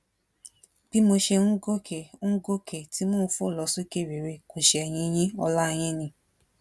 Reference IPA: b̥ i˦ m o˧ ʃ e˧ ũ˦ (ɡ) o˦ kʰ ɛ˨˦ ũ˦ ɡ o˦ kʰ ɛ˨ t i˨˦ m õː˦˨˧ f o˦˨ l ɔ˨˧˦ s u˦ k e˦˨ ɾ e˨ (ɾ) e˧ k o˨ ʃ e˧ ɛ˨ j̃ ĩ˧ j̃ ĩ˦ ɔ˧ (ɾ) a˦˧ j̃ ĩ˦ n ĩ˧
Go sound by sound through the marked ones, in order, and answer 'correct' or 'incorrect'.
correct, correct, incorrect: l

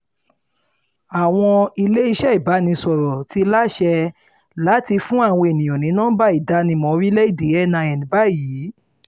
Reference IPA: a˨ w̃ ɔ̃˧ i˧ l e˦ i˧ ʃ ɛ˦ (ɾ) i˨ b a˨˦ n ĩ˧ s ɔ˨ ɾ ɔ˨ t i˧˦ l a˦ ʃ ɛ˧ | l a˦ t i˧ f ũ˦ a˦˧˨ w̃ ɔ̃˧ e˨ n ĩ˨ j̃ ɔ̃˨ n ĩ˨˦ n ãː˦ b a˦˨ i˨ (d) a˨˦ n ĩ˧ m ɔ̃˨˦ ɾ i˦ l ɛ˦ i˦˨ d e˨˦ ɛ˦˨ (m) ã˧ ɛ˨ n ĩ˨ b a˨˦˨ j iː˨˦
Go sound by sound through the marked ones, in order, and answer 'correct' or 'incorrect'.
incorrect: none, correct, incorrect: n

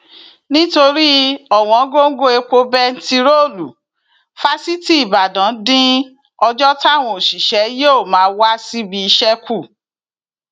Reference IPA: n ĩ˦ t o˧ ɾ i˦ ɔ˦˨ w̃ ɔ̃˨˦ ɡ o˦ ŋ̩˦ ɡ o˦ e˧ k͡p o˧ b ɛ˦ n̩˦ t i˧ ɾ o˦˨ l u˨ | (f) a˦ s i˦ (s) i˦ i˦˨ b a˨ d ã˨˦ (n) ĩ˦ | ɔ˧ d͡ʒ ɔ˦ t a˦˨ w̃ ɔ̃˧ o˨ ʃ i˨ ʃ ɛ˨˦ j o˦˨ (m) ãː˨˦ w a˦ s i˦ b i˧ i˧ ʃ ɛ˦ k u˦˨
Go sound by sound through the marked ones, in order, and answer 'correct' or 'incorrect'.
correct, incorrect: t, incorrect: d, correct

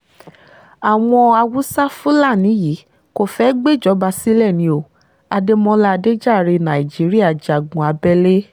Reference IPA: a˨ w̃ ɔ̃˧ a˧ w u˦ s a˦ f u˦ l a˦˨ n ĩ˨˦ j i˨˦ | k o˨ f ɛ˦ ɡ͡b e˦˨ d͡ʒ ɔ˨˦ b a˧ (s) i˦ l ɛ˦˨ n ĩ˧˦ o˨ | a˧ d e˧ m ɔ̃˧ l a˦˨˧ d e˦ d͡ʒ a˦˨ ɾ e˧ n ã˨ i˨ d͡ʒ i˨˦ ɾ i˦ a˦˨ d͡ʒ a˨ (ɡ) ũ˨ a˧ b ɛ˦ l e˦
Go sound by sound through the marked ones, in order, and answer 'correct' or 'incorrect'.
correct, correct

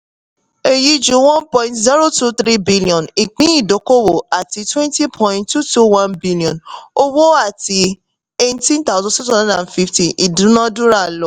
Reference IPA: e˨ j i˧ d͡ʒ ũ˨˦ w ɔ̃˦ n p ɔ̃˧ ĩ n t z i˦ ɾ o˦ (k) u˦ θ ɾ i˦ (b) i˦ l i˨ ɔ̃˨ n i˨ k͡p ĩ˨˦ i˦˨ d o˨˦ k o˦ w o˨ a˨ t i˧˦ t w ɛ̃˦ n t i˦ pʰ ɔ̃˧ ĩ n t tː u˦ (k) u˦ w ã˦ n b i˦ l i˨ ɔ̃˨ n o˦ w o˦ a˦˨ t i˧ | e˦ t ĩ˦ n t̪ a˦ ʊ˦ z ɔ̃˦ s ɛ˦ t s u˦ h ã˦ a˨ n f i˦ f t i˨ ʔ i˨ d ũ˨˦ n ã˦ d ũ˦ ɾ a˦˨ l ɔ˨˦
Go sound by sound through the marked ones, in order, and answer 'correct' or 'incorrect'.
incorrect: t, correct, incorrect: t

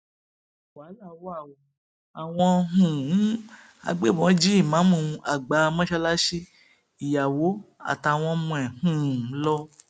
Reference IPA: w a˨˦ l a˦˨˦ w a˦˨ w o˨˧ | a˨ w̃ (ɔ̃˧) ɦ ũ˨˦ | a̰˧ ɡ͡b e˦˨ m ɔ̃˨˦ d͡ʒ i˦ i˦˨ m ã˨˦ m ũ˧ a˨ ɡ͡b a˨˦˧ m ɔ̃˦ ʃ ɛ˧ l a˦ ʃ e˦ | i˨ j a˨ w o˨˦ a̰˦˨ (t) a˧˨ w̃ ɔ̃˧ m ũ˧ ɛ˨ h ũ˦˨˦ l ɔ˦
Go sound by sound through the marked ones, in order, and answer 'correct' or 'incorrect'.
correct, correct

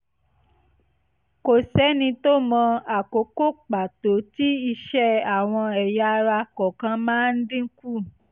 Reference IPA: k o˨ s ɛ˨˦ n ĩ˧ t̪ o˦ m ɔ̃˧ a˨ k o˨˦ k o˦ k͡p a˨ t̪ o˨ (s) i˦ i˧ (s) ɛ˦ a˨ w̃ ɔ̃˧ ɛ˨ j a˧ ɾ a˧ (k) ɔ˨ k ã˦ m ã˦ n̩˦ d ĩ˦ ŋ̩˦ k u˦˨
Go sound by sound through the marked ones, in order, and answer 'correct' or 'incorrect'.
incorrect: t, incorrect: ʃ, correct

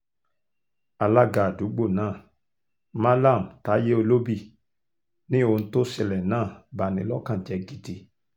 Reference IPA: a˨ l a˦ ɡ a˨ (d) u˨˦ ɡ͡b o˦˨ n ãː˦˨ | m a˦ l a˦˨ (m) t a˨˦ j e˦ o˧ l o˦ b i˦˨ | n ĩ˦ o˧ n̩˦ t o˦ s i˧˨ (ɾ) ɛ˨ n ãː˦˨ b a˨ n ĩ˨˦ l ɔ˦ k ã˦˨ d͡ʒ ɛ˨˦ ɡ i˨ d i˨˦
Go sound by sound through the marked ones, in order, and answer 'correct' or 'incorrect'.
correct, correct, incorrect: l

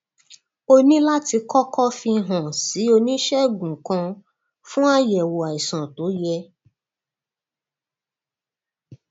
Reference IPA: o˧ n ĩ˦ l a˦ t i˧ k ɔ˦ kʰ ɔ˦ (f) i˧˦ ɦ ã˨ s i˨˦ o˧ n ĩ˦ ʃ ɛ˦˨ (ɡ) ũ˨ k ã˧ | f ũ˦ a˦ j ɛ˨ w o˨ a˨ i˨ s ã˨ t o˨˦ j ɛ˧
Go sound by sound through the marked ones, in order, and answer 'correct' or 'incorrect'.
correct, correct

